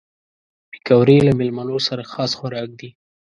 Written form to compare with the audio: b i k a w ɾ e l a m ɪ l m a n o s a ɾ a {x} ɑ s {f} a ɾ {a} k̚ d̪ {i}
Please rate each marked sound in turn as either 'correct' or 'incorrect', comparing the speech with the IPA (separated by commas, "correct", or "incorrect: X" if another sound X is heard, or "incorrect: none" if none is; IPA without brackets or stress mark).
correct, incorrect: x, incorrect: ɑ, correct